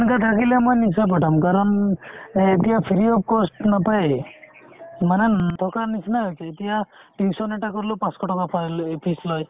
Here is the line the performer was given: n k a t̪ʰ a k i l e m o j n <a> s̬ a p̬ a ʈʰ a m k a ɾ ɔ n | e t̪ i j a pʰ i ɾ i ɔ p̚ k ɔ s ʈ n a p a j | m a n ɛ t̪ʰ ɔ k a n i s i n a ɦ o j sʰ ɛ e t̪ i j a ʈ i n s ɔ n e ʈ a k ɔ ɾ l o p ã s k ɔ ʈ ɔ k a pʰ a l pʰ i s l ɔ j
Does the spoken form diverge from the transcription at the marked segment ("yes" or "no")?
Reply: yes